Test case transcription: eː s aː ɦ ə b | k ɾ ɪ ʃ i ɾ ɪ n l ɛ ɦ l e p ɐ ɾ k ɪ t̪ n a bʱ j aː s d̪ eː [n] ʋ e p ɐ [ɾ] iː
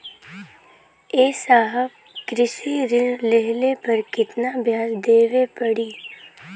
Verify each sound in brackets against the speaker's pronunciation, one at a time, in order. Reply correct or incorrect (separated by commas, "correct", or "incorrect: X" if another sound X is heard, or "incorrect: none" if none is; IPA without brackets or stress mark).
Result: incorrect: none, incorrect: ɽ